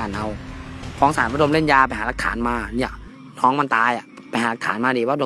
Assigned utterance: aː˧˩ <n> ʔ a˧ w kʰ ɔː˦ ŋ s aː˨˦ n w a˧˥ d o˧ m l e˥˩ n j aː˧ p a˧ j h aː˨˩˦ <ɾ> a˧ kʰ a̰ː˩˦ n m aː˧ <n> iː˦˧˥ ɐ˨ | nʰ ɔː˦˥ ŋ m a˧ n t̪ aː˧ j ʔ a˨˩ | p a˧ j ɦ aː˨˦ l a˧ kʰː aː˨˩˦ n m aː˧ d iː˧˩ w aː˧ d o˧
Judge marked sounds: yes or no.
yes, no, yes

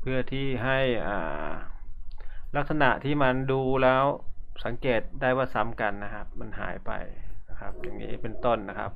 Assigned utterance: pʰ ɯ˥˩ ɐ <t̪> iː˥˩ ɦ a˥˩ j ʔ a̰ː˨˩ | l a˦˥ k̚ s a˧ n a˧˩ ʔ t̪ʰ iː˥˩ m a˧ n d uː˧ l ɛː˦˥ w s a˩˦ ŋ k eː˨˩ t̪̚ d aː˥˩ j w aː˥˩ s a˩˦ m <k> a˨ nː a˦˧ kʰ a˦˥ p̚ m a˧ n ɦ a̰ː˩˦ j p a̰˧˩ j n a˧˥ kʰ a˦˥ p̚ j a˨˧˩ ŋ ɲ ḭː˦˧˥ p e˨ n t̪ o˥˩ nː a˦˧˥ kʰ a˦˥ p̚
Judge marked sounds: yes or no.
no, yes

